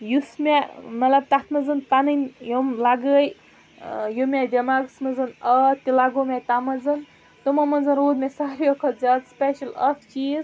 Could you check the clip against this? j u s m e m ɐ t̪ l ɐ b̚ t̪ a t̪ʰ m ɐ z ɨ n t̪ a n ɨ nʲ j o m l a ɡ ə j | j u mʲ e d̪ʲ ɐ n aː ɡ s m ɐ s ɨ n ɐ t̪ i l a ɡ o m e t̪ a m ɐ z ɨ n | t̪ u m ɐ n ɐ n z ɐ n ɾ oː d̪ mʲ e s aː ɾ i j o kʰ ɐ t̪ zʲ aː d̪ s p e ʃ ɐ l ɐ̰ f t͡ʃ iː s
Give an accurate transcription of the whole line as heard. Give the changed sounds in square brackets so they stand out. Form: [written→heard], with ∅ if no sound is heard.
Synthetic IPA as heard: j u s m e m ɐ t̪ l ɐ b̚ t̪ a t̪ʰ m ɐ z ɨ n t̪ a n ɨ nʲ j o m l a ɡ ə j | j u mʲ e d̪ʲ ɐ [n→m] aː ɡ s m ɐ [s→z] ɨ n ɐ t̪ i l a ɡ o m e t̪ a m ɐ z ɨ n | t̪ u m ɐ [n→m] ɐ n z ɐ n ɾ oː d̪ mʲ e s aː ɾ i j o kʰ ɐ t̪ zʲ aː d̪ s p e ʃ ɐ l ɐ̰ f t͡ʃ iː [s→z]